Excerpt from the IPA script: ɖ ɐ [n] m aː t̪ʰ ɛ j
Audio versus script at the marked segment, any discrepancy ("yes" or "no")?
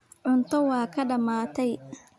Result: yes